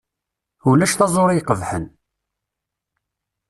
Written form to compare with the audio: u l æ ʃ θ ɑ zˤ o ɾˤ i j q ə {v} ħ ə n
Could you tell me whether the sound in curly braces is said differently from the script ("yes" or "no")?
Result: no